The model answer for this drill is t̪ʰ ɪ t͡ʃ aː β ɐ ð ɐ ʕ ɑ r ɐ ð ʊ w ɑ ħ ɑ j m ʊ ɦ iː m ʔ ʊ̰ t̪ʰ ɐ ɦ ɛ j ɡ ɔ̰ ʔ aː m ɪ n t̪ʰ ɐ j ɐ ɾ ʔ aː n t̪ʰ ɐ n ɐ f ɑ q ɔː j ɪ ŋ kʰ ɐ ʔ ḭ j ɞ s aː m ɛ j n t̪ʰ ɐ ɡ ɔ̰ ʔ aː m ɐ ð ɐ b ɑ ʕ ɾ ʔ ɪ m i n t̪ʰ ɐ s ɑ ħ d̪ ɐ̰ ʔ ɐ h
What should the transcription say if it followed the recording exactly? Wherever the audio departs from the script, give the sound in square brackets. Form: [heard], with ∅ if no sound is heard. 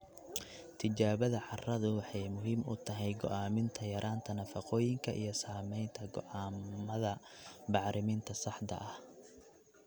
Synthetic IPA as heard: t̪ʰ ɪ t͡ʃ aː β ɐ ð ɐ ʕ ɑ r ɐ ð ʊ w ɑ ħ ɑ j m ʊ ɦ iː m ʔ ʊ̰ t̪ʰ ɐ ɦ ɛ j ɡ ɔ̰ ʔ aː m ɪ n t̪ʰ ɐ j ɐ ɾ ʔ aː n t̪ʰ ɐ n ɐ f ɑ q ɔː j ɪ ŋ kʰ ɐ ʔ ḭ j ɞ s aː m ɛ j n t̪ʰ ɐ ɡ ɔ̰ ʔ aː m ɐ ð ɐ b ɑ ʕ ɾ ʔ ɪ m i n t̪ʰ ɐ s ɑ ħ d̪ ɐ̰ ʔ ɐ h